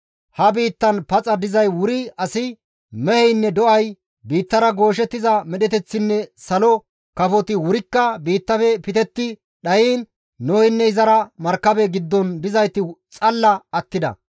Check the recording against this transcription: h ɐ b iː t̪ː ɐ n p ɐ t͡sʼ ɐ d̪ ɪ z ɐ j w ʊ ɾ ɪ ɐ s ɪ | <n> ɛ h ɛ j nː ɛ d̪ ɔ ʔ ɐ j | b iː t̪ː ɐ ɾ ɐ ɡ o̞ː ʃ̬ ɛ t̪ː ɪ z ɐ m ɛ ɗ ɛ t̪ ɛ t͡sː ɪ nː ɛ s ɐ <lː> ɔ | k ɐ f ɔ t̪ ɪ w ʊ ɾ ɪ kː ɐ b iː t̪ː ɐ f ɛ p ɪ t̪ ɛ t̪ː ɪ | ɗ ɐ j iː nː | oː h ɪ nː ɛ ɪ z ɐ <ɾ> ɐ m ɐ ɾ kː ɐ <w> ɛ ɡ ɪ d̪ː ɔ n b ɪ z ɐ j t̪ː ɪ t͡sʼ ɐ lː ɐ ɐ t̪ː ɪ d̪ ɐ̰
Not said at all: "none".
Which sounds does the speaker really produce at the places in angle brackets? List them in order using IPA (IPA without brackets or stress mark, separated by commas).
m, l, ɾ, b